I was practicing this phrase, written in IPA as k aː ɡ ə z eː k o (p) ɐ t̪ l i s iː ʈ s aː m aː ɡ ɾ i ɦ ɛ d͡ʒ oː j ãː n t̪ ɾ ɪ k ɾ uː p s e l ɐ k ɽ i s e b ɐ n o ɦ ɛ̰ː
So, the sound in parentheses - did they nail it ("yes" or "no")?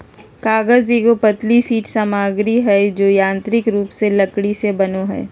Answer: yes